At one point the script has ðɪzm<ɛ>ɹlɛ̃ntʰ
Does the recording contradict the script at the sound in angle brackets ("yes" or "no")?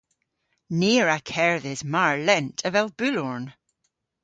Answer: yes